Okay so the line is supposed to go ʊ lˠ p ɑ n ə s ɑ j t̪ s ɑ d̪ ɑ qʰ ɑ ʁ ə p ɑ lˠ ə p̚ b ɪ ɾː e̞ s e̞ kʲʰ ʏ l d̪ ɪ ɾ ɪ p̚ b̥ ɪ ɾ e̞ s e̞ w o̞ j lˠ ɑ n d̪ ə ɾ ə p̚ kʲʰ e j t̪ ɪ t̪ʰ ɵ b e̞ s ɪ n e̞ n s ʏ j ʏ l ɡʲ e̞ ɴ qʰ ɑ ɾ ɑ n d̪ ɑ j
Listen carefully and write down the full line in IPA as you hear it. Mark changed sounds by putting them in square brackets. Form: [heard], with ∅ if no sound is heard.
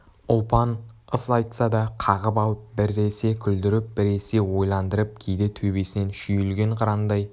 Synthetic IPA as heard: ʊ lˠ p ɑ n ə s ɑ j t̪ s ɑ d̪ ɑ qʰ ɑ ʁ ə p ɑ lˠ ə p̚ b ɪ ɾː e̞ s e̞ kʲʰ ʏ l d̪ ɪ ɾ ɪ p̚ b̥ ɪ ɾ e̞ s e̞ w o̞ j lˠ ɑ n d̪ ə ɾ ə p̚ kʲʰ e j [d̪] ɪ t̪ʰ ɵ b e̞ s ɪ n e̞ n [ʃ] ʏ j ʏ l ɡʲ e̞ ɴ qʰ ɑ ɾ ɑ n d̪ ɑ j